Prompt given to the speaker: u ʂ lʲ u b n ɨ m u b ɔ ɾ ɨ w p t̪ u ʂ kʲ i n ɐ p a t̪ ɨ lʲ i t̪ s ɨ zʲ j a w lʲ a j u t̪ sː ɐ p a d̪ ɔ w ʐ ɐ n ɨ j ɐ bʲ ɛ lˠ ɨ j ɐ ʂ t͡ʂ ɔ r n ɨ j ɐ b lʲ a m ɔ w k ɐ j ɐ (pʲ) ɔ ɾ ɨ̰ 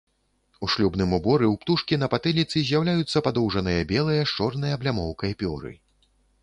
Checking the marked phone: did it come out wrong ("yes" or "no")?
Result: no